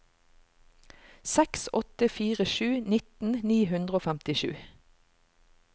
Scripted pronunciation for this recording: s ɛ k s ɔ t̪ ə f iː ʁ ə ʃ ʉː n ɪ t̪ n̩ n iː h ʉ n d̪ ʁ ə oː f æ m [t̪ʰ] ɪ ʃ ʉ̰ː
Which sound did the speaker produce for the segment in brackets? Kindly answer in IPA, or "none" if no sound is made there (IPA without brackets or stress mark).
t̪